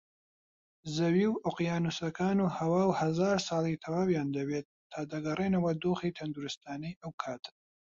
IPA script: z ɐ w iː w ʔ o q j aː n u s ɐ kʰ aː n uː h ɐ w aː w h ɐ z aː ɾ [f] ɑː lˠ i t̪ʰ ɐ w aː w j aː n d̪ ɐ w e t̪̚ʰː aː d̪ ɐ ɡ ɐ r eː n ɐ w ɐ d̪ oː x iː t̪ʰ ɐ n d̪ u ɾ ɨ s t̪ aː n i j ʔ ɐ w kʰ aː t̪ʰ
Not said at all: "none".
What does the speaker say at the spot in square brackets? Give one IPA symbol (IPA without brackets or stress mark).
s